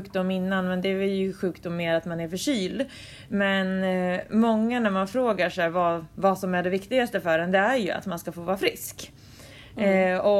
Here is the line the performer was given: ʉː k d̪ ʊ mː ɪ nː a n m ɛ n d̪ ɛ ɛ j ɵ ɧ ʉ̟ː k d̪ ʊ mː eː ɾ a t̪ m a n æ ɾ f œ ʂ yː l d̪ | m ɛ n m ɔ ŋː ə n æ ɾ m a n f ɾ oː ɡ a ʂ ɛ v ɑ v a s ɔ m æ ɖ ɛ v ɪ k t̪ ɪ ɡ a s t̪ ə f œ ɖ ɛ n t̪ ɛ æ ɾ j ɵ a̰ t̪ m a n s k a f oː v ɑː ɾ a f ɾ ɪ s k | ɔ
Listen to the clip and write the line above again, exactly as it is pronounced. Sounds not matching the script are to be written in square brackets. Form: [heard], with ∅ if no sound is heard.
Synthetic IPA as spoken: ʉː k d̪ ʊ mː ɪ nː a n m ɛ n d̪ ɛ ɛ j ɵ ɧ ʉ̟ː k d̪ ʊ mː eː ɾ a t̪ m a n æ ɾ f œ ʂ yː l d̪ | m ɛ n m ɔ ŋː [a] n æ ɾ m a n f ɾ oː ɡ a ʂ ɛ v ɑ v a s ɔ m æ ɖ ɛ v ɪ k t̪ ɪ ɡ a s t̪ ə f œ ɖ ɛ n [d̪] ɛ æ ɾ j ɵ a̰ t̪ m a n s k a f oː v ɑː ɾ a f ɾ ɪ s k | ɔ